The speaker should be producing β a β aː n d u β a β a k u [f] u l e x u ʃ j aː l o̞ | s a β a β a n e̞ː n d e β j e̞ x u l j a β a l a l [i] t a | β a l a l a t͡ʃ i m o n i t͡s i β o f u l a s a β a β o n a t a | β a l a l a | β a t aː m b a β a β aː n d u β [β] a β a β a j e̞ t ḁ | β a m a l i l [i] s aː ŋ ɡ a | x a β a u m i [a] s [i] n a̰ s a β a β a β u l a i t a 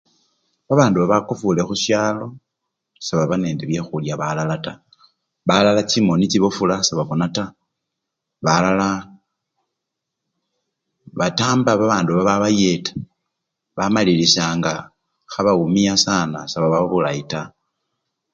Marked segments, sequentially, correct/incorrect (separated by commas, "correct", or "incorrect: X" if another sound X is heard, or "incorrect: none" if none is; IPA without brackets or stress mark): correct, incorrect: a, correct, correct, correct, incorrect: a